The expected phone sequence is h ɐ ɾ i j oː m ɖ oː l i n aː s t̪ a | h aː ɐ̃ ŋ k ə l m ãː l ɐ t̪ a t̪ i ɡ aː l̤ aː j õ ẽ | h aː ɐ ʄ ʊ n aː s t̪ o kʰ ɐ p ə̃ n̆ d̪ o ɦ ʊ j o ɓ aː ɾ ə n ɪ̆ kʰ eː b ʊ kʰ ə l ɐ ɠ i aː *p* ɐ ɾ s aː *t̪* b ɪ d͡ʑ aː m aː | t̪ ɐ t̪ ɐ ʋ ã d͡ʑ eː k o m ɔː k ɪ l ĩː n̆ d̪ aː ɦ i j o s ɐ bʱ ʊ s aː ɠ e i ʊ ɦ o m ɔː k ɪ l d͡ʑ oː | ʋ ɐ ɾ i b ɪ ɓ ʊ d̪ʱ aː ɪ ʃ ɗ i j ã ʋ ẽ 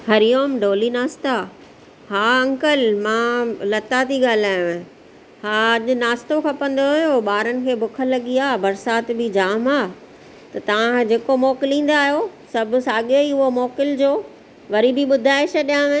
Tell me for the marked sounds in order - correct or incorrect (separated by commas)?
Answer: incorrect, correct